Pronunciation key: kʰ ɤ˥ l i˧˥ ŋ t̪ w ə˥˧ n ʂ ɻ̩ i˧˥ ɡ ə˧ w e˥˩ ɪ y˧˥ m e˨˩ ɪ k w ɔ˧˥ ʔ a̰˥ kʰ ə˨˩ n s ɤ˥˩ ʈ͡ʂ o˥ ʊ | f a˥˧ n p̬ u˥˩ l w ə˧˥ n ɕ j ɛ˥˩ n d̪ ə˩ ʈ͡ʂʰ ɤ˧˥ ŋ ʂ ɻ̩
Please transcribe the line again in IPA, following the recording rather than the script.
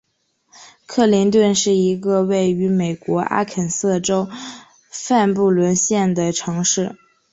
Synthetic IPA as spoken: kʰ ɤ˥˩ l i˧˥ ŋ t̪ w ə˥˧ n ʂ ɻ̩ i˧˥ ɡ ə˧ w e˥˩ ɪ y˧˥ m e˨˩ ɪ k w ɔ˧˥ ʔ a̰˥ kʰ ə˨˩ n s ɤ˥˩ ʈ͡ʂ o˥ ʊ | f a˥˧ n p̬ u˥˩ l w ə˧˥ n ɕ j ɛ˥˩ n d̪ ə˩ ʈ͡ʂʰ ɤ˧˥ ŋ ʂ ɻ̩

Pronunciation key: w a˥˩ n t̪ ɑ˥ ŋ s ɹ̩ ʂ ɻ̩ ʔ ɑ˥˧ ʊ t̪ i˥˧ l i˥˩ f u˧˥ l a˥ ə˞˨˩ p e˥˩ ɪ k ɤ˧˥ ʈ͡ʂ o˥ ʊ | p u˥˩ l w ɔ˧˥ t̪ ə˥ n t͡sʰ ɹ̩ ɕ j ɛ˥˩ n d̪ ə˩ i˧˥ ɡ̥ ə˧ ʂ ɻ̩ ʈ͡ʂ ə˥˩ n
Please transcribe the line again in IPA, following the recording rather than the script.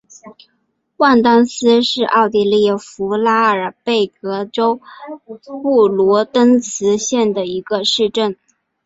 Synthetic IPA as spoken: w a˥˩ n t̪ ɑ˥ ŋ s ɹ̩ ʂ ɻ̩ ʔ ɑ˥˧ ʊ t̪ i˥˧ l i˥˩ f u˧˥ l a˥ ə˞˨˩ p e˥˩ ɪ k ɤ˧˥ ʈ͡ʂ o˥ ʊ | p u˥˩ l w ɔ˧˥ t̪ ə˥ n t͡sʰ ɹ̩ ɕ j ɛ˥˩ n d̪ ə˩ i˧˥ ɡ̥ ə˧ ʂ ɻ̩ ʈ͡ʂ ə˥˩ n

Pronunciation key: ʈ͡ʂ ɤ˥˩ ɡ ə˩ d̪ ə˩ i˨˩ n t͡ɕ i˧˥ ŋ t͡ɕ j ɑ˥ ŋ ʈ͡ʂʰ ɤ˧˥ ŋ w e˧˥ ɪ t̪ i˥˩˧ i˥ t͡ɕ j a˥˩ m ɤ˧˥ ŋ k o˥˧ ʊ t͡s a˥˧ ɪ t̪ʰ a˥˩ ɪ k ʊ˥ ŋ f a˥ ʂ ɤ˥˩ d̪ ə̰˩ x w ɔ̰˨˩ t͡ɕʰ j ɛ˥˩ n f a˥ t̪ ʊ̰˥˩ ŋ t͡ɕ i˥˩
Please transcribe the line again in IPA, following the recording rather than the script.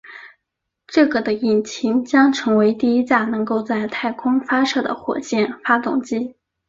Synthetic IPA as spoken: ʈ͡ʂ ɤ˥˩ ɡ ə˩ d̪ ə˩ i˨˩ n t͡ɕʰ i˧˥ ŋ t͡ɕ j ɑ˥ ŋ ʈ͡ʂʰ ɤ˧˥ ŋ w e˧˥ ɪ t̪ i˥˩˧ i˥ t͡ɕ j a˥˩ n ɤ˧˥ ŋ k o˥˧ ʊ t͡s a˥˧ ɪ t̪ʰ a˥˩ ɪ kʰ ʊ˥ ŋ f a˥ ʂ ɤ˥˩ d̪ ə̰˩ x w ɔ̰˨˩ t͡ɕ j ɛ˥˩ n f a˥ t̪ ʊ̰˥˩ ŋ t͡ɕ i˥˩

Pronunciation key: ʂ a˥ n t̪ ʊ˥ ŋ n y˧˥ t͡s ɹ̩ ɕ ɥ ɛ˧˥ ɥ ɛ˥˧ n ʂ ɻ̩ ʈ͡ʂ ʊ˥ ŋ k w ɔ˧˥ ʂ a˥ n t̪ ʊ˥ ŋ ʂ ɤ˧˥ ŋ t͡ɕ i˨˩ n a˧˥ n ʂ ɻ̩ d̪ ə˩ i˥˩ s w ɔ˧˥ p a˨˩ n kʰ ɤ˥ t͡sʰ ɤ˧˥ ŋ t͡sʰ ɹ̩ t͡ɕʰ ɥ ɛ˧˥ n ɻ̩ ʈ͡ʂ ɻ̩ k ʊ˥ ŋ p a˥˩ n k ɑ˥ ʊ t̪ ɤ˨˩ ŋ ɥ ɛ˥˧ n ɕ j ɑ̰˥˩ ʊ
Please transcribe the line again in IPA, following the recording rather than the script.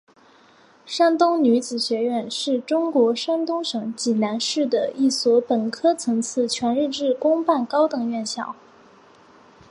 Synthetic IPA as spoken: ʂ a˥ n t̪ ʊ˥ ŋ n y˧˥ t͡s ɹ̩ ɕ ɥ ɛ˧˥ ɥ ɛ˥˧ n ʂ ɻ̩ ʈ͡ʂ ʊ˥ ŋ k w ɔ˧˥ ʂ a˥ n t̪ ʊ˥ ŋ ʂ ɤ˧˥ ŋ t͡ɕ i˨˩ n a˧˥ n ʂ ɻ̩ d̪ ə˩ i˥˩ s w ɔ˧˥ p ə˨˩ n kʰ ɤ˥ t͡sʰ ɤ˧˥ ŋ t͡sʰ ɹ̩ t͡ɕʰ ɥ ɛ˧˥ n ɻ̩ ʈ͡ʂ ɻ̩ k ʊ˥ ŋ p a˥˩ n k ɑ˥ ʊ t̪ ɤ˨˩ ŋ ɥ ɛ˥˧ n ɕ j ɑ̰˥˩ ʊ

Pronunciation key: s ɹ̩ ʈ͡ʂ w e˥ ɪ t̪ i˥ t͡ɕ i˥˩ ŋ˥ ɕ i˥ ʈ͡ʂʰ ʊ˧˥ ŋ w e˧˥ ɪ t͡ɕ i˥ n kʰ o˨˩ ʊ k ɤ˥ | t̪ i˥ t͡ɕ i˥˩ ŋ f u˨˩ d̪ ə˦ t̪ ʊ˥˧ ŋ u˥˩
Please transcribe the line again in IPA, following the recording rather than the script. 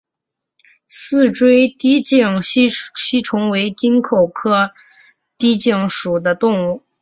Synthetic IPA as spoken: s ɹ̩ ʈ͡ʂ w e˥ ɪ t̪ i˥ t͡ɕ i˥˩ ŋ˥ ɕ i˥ ʈ͡ʂʰ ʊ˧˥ ŋ w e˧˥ ɪ t͡ɕ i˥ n kʰ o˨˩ ʊ kʰ ɤ˥ | t̪ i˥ t͡ɕ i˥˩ ŋ ʂ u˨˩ d̪ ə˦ t̪ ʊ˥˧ ŋ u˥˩

